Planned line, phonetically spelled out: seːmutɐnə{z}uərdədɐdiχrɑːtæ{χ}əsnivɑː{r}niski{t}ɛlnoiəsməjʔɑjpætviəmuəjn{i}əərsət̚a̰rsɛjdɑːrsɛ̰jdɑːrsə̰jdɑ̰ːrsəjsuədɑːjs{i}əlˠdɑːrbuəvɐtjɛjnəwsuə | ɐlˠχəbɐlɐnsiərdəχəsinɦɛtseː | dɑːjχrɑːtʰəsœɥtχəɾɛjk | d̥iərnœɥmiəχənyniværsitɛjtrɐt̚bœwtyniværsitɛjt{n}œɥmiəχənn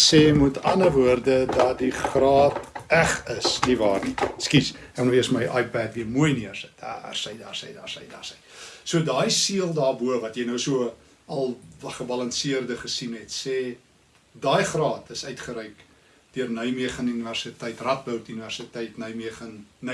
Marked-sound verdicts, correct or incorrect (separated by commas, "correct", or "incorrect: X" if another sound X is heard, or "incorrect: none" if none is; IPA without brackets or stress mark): incorrect: v, correct, correct, incorrect: s, correct, correct, correct